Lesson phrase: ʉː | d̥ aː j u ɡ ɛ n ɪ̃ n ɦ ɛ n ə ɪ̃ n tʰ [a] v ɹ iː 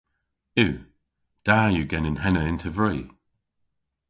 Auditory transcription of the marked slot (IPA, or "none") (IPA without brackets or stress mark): ə